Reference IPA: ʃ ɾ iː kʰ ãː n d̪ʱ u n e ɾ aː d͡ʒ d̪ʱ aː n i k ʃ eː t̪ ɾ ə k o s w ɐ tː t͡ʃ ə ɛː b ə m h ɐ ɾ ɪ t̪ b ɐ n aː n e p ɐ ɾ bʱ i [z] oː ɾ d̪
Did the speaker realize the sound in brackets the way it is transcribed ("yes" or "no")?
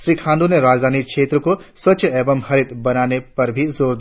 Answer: yes